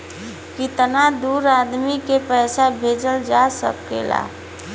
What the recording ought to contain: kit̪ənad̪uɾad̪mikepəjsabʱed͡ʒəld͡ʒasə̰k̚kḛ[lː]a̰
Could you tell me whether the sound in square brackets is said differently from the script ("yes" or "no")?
yes